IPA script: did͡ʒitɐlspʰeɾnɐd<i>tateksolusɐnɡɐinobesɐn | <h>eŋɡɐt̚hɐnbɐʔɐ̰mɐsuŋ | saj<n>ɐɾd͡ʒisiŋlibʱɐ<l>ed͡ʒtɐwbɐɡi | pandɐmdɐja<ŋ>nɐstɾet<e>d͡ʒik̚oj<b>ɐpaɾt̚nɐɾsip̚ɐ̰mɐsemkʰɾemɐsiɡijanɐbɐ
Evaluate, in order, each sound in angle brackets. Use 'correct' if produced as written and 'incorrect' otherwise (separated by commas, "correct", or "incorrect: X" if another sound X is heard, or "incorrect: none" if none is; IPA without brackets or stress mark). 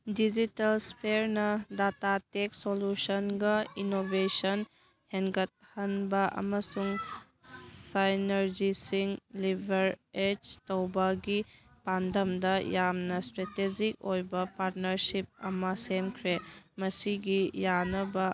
incorrect: a, correct, correct, incorrect: ɾ, incorrect: m, correct, correct